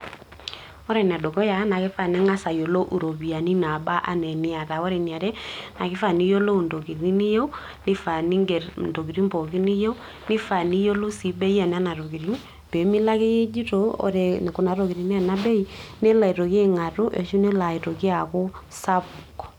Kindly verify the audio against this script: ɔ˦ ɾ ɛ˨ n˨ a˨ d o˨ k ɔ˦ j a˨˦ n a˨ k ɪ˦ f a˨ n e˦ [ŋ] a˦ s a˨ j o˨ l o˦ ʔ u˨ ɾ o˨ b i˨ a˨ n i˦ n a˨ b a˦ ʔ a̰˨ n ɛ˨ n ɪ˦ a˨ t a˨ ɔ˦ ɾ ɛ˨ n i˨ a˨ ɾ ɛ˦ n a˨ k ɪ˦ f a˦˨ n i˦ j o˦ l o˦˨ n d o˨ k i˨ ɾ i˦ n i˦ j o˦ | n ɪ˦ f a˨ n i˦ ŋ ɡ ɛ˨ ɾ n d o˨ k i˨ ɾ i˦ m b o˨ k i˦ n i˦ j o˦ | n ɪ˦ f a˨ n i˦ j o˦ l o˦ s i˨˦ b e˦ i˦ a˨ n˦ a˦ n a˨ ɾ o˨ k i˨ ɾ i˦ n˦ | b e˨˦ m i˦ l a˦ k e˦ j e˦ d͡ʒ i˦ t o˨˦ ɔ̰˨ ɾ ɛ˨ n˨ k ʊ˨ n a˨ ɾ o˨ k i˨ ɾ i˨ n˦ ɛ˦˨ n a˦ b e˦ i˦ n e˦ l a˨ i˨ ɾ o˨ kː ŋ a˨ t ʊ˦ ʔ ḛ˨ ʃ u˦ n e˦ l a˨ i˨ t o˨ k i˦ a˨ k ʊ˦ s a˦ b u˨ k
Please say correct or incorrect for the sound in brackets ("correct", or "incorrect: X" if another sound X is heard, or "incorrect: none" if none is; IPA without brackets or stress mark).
correct